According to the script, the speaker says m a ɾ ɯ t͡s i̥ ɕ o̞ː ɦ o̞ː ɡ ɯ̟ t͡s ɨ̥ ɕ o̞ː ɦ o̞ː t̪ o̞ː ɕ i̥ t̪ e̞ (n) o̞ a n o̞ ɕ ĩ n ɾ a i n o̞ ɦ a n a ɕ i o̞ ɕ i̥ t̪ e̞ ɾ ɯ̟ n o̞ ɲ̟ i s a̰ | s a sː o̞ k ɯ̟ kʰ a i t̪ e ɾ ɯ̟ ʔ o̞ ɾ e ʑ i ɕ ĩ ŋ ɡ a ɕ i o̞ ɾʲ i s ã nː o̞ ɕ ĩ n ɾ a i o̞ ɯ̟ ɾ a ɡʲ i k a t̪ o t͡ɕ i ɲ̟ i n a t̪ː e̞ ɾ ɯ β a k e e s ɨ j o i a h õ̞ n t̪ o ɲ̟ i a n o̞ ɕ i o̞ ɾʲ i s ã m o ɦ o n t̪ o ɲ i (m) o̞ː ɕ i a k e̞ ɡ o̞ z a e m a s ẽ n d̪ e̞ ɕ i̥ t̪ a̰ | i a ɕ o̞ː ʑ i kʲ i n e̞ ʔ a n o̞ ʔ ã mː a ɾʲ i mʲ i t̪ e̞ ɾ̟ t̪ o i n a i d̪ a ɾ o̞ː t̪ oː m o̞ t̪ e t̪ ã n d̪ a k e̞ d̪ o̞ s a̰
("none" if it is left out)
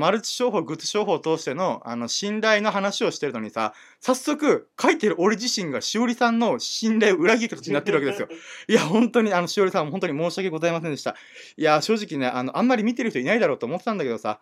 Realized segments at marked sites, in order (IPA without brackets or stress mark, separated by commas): n, m